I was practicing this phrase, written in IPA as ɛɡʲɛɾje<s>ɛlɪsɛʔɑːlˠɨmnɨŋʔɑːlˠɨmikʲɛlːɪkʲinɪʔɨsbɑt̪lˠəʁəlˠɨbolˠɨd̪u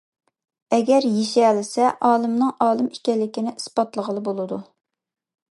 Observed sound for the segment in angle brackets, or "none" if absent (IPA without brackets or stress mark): ʃ